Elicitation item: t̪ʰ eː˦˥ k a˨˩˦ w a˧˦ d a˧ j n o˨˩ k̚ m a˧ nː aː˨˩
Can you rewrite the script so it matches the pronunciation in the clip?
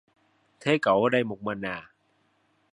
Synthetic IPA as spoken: t̪ʰ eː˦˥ k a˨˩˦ w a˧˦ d a˧ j m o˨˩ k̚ m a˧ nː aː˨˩